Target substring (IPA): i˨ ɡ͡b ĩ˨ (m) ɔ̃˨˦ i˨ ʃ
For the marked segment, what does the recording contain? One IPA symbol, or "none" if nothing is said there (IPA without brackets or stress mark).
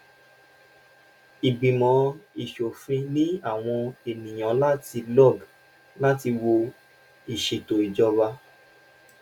m